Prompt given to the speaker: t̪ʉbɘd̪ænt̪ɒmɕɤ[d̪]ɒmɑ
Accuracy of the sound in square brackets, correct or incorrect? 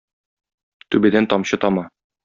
incorrect